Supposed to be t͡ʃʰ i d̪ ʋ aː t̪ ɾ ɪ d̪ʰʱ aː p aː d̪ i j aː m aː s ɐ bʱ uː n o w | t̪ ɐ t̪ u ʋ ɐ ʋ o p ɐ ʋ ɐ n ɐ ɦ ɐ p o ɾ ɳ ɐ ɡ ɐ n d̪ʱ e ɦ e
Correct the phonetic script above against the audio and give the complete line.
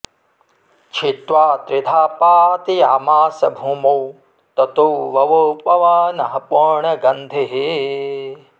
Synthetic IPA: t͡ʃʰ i t̪ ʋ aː t̪ ɾ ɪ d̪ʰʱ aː p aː t̪ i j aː m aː s ɐ bʱ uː m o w | t̪ ɐ t̪ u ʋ ɐ ʋ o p ɐ ʋ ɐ n ɐ ɦ ɐ p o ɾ ɳ ɐ ɡ ɐ n d̪ʱ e ɦ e

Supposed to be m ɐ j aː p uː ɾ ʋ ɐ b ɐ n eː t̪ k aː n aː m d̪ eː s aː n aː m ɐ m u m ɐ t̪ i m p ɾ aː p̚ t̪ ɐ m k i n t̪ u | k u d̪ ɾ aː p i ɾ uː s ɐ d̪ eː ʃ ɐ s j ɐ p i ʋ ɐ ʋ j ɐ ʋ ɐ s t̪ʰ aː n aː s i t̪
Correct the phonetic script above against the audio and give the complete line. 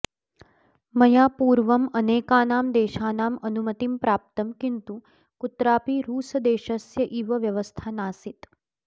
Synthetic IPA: m ɐ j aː p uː ɾ ʋ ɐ m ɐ n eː k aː n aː m d̪ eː ʃ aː n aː m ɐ n u m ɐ t̪ i m p ɾ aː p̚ t̪ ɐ m k i n t̪ u | k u t̪ ɾ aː p i ɾ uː s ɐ d̪ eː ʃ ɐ s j ɐ ʔ i ʋ ɐ ʋ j ɐ ʋ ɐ s t̪ʰ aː n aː s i t̪

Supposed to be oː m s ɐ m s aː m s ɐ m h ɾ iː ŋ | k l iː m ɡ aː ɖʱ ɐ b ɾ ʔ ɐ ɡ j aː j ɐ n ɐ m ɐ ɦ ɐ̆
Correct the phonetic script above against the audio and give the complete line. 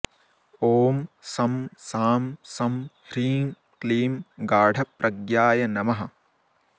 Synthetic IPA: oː m s ɐ m s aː m s ɐ m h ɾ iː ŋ | k l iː m ɡ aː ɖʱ ɐ p ɾ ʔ ɐ ɡ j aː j ɐ n ɐ m ɐ ɦ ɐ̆

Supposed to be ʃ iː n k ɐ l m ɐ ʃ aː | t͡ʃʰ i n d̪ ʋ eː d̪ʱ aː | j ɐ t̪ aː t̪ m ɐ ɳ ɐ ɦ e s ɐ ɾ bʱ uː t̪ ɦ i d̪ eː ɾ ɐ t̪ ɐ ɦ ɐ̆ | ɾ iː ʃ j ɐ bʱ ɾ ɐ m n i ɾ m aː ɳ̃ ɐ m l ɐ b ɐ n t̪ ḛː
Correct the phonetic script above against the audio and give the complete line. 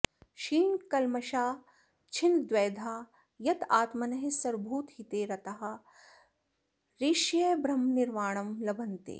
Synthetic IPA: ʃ iː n k ɐ l m ɐ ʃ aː | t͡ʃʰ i n d̪ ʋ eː d̪ʱ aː | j ɐ t̪ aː t̪ m ɐ n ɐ ɦ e s ɐ ɾ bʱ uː t̪ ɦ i t̪ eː ɾ ɐ t̪ ɐ ɦ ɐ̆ | ɾ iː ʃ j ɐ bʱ ɾ ɐ m n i ɾ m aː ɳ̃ ɐ m l ɐ b ɐ n t̪ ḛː

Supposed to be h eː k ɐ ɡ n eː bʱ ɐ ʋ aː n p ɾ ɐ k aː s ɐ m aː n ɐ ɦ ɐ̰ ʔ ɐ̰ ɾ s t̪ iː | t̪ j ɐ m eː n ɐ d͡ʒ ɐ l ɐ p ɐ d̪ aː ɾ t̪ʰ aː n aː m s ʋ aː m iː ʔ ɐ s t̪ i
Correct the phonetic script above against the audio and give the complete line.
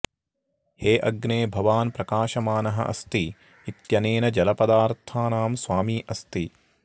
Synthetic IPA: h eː ʔ ɐ ɡ n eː bʱ ɐ ʋ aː n p ɾ ɐ k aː ʃ ɐ m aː n ɐ ɦ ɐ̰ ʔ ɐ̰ s t̪ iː | t̪ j ɐ n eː n ɐ d͡ʒ ɐ l ɐ p ɐ d̪ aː ɾ t̪ʰ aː n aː m s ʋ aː m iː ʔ ɐ s t̪ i

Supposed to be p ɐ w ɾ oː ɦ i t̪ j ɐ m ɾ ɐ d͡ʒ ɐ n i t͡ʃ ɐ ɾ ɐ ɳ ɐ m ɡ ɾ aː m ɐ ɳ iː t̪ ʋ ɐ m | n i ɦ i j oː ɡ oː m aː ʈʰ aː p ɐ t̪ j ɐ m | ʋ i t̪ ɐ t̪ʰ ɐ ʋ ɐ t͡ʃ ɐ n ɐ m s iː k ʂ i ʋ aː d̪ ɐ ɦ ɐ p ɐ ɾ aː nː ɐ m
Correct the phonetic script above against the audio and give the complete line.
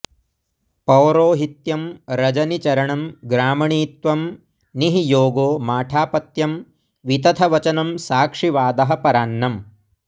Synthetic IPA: p ɐ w ɾ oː ɦ i t̪ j ɐ m ɾ ɐ d͡ʒ ɐ n i t͡ʃ ɐ ɾ ɐ ɳ ɐ m ɡ ɾ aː m ɐ ɳ iː t̪ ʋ ɐ m | n i ɦ i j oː ɡ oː m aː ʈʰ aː p ɐ t̪ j ɐ m | ʋ i t̪ ɐ t̪ʰ ɐ ʋ ɐ t͡ʃ ɐ n ɐ m s aː k ʂ i ʋ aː d̪ ɐ ɦ ɐ p ɐ ɾ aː nː ɐ m

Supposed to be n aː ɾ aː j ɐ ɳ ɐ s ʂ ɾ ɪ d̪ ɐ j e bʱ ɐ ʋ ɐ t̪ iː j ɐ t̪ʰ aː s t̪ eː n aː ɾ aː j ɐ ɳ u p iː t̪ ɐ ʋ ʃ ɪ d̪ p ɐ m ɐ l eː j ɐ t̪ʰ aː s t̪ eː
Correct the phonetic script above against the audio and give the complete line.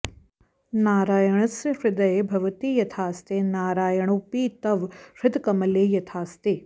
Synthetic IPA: n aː ɾ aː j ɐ ɳ ɐ s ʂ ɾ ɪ d̪ ɐ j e bʱ ɐ ʋ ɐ t̪ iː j ɐ t̪ʰ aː s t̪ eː n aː ɾ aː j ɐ ɳ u p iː t̪ ɐ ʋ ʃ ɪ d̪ k ɐ m ɐ l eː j ɐ t̪ʰ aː s t̪ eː

